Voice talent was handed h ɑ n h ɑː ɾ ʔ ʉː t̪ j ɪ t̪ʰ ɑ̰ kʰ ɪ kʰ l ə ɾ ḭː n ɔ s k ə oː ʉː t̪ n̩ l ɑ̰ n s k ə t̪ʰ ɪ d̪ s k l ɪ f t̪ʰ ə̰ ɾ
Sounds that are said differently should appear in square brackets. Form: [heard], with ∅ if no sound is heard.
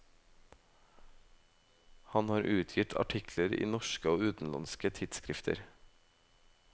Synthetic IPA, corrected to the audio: h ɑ n h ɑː ɾ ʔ ʉː [t̪ʰ] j ɪ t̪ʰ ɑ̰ [ʈʰ] ɪ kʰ l ə ɾ ḭː n ɔ [ʃ] k ə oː ʉː t̪ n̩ l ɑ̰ n s k ə t̪ʰ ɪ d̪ s k [ɾ] ɪ f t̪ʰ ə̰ ɾ

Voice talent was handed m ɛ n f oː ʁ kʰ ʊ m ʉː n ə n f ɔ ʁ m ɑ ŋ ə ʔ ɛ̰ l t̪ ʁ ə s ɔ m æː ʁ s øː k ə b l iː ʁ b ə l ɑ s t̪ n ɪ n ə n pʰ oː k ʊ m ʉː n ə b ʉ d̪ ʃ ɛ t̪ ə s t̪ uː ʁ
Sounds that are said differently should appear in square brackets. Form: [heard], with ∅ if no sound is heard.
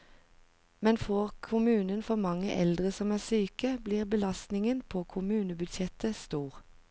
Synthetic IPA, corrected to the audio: m ɛ n f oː ʁ kʰ ʊ m ʉː n ə n f ɔ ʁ m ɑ ŋ ə ʔ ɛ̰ l [d̪] ʁ ə s ɔ m æː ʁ s [yː] k ə b l iː ʁ b ə l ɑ s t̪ n ɪ [ŋ] ə n pʰ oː [kʰ] ʊ m ʉː n ə b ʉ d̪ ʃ ɛ t̪ ə s t̪ uː ʁ

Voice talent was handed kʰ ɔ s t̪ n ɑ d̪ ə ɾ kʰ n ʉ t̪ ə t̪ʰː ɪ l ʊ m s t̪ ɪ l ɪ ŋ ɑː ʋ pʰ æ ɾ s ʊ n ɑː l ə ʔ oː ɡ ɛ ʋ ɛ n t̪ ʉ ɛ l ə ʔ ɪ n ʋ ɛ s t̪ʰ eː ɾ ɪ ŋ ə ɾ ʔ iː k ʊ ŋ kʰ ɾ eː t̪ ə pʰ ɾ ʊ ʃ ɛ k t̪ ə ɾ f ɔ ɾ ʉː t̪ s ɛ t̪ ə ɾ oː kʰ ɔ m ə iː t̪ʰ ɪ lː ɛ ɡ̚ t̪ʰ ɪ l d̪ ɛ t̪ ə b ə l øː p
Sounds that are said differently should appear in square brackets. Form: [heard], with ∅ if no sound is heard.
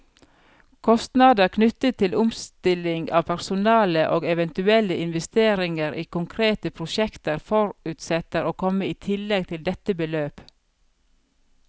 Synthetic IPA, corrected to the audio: kʰ ɔ s t̪ n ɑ d̪ ə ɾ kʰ n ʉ t̪ ə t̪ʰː ɪ l ʊ m s t̪ ɪ l ɪ ŋ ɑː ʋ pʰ æ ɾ s ʊ n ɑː l ə ʔ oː ɡ ɛ ʋ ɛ n t̪ ʉ ɛ l ə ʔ ɪ n ʋ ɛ s [t̪] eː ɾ ɪ ŋ ə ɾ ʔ iː k ʊ ŋ kʰ ɾ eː t̪ ə pʰ ɾ ʊ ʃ ɛ k t̪ ə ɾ f ɔ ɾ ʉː t̪ s ɛ t̪ ə ɾ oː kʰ ɔ m ə iː t̪ʰ ɪ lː ɛ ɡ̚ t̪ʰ ɪ l d̪ ɛ t̪ ə b ə l øː p

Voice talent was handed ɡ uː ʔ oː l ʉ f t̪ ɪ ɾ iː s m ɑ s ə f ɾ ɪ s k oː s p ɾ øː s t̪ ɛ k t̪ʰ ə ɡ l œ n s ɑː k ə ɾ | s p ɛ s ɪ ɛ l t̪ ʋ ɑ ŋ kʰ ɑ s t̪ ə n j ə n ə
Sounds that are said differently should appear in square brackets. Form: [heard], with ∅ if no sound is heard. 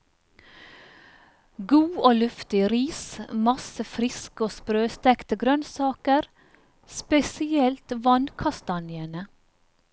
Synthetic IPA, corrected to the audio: ɡ uː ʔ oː l ʉ f t̪ ɪ ɾ iː s m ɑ s ə f ɾ ɪ s k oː s p ɾ øː s t̪ ɛ k [t̪] ə ɡ [ɾ] œ n s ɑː k ə ɾ | s p ɛ s ɪ ɛ l t̪ ʋ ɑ [n] kʰ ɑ s t̪ [ɑ] n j ə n ə

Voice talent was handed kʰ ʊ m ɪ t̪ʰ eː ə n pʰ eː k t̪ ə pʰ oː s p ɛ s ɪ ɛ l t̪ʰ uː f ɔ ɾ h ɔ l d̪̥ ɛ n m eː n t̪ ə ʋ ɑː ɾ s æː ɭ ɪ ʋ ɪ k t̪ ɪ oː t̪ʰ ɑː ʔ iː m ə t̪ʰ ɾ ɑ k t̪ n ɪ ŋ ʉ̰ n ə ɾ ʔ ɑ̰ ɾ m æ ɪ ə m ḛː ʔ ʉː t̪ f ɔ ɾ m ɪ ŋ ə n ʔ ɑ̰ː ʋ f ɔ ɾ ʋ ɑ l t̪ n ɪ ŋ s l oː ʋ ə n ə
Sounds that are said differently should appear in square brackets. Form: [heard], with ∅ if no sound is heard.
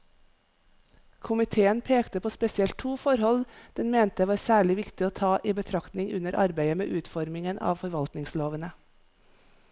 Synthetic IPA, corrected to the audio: kʰ ʊ m ɪ t̪ʰ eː ə n pʰ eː k t̪ ə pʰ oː s p ɛ s ɪ ɛ l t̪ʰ uː f ɔ ɾ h ɔ l d̪̥ ɛ n m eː n t̪ ə ʋ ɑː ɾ s æː ɭ ɪ ʋ ɪ k t̪ ɪ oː t̪ʰ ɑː ʔ iː [b] ə t̪ʰ ɾ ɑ k t̪ n ɪ ŋ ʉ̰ n ə ɾ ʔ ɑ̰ ɾ [b] æ ɪ ə m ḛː ʔ ʉː t̪ f ɔ ɾ m ɪ ŋ ə n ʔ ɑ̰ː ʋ f ɔ ɾ ʋ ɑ l t̪ n ɪ ŋ s l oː ʋ ə n ə

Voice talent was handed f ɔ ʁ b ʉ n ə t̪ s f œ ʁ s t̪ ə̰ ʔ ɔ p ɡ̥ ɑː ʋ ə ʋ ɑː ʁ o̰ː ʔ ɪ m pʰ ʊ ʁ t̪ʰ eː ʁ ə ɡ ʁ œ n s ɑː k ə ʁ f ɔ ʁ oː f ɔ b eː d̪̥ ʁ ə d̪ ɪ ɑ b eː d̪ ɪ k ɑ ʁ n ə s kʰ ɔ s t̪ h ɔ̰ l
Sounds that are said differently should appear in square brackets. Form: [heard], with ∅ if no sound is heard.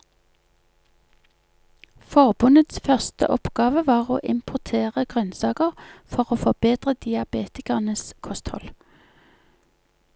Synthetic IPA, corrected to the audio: f ɔ ʁ b ʉ n ə t̪ s f œ ʁ s t̪ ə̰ ʔ ɔ p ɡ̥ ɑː ʋ ə ʋ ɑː ʁ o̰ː ʔ ɪ m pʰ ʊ ʁ t̪ʰ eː ʁ ə ɡ ʁ œ n s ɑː k ə ʁ f ɔ ʁ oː f ɔ b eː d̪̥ ʁ ə d̪ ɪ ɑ b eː [t̪] ɪ k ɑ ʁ n ə s kʰ ɔ s t̪ h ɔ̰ l

